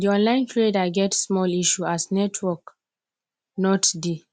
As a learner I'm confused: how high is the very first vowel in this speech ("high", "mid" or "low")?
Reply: high